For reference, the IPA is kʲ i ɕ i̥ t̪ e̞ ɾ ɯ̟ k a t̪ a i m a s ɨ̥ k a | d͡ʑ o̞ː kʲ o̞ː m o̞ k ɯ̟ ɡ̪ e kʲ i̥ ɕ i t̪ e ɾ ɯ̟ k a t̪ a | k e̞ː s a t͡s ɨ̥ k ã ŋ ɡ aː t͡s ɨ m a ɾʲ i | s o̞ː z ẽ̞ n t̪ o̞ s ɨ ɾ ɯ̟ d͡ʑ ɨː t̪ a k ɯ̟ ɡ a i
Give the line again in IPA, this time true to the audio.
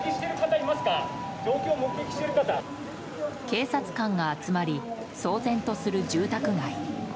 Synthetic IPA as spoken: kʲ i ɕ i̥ t̪ e̞ ɾ ɯ̟ k a t̪ a i m a s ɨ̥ k a | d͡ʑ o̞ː kʲ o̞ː m o̞ k ɯ̟ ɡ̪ e kʲ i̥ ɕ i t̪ e ɾ ɯ̟ k a t̪ a | k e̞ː s a t͡s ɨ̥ k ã ŋ ɡ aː t͡s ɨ m a ɾʲ i | s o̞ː z ẽ̞ n t̪ o̞ s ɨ ɾ ɯ̟ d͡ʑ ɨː t̪ a k ɯ̟ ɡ a i